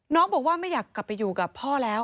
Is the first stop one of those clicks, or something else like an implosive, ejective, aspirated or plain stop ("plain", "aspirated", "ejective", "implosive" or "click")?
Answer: plain